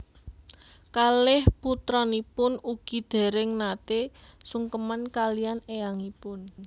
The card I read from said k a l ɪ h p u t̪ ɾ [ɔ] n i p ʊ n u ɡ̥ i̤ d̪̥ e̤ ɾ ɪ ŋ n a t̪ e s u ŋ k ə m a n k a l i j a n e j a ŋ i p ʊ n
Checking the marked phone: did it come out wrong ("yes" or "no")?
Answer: no